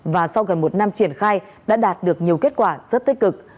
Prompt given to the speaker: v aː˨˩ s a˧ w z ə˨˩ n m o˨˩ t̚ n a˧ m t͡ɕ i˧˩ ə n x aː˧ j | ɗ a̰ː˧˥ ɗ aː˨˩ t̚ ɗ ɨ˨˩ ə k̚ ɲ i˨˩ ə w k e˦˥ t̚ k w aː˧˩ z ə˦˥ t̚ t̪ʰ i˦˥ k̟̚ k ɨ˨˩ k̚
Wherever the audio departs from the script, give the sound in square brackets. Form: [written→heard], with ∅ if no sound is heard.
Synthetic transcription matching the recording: v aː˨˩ s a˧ w [z→ɣ] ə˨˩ n m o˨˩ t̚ n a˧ m t͡ɕ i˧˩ ə n x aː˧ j | ɗ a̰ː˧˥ ɗ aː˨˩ t̚ ɗ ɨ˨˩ ə k̚ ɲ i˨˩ ə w k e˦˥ t̚ k w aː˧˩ z ə˦˥ t̚ [t̪ʰ→t̪] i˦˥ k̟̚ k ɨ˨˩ k̚

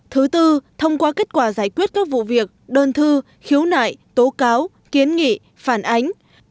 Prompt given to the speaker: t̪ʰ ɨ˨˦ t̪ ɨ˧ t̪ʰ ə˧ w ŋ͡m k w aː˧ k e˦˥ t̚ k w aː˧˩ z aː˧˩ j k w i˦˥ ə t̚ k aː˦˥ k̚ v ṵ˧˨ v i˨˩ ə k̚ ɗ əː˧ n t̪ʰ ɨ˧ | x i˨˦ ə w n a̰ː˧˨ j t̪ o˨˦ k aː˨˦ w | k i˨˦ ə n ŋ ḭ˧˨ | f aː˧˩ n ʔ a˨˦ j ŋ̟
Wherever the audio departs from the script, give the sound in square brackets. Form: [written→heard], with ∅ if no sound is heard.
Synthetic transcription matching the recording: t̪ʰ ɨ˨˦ t̪ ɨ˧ t̪ʰ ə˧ w ŋ͡m k w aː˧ k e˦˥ t̚ k w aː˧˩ z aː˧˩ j k w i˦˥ ə t̚ k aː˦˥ k̚ v ṵ˧˨ v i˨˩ ə k̚ ɗ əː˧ n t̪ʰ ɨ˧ | x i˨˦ ə w n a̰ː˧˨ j t̪ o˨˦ k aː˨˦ w | k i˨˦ ə n ŋ ḭ˧˨ | f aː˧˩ n ʔ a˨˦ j ŋ̟

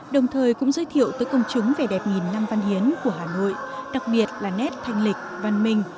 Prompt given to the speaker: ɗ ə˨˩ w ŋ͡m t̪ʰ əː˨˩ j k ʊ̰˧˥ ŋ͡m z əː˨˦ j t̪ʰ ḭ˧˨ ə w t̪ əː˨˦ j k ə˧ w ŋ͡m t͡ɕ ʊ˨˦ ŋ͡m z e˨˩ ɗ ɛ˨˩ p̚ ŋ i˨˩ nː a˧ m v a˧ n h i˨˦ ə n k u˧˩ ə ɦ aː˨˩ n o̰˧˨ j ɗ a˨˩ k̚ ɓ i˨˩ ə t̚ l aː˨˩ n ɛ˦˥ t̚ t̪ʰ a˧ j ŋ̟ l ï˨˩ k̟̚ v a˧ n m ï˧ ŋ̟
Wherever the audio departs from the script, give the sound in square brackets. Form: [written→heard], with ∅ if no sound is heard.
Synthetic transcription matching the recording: ɗ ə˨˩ w ŋ͡m t̪ʰ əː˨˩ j k ʊ̰˧˥ ŋ͡m z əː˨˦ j t̪ʰ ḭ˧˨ ə w t̪ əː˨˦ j k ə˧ w ŋ͡m t͡ɕ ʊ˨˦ ŋ͡m [z→v] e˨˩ ɗ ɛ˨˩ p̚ ŋ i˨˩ nː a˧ m v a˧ n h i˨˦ ə n k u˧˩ ə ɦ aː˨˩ n o̰˧˨ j ɗ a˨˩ k̚ ɓ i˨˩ ə t̚ l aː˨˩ n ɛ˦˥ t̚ t̪ʰ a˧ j ŋ̟ l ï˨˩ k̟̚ v a˧ n m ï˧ ŋ̟

